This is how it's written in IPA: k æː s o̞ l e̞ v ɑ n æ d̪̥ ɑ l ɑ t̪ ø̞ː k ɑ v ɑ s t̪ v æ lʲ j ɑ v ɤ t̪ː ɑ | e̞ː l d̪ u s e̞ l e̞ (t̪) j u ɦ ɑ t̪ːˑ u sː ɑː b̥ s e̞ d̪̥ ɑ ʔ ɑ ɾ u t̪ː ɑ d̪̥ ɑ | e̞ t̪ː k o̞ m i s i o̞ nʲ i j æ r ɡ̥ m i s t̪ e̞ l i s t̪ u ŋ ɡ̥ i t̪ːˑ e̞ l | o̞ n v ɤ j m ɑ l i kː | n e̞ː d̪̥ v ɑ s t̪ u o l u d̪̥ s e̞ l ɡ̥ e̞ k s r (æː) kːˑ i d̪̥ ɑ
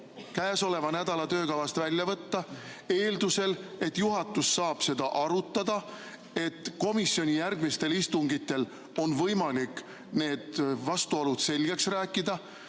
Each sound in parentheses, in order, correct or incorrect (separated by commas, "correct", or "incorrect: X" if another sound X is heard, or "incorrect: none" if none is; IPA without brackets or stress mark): correct, correct